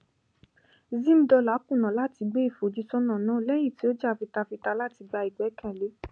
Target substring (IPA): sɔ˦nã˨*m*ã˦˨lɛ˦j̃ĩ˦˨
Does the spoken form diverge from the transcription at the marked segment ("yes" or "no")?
yes